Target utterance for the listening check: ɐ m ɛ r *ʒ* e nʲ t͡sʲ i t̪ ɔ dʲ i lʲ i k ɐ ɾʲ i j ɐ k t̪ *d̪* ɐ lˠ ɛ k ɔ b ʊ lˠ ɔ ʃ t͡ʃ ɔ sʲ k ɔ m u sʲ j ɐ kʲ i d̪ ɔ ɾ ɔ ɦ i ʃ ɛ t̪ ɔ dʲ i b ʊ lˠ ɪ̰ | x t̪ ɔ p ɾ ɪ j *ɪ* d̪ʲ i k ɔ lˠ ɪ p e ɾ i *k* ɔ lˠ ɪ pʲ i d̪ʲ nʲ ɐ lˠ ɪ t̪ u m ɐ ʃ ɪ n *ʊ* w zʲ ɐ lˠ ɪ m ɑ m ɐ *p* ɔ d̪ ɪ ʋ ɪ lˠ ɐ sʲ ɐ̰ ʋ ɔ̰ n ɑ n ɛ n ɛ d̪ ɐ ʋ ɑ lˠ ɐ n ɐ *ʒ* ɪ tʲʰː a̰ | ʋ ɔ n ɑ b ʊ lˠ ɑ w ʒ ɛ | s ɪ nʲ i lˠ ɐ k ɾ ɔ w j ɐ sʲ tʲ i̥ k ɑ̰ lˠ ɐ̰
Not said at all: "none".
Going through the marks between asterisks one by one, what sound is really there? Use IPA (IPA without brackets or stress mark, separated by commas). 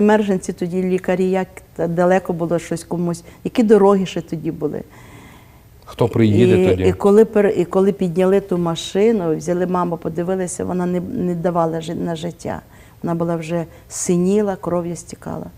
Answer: ʒ, d̪, i, k, ʊ, p, ʒ